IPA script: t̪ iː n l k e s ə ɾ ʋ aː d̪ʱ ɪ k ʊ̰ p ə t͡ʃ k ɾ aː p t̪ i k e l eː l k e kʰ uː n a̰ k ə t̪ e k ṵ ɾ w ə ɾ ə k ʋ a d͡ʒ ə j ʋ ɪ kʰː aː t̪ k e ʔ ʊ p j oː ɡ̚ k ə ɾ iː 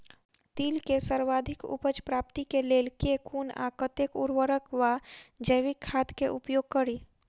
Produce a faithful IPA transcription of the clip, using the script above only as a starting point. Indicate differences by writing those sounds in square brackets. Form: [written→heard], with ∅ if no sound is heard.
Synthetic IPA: t̪ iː [n→∅] l k e s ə ɾ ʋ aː d̪ʱ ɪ k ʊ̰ p ə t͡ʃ [k→p] ɾ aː p t̪ i k e l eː l k e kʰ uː n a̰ k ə t̪ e k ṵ ɾ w ə ɾ ə k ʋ a d͡ʒ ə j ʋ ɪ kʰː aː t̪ k e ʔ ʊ p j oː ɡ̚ k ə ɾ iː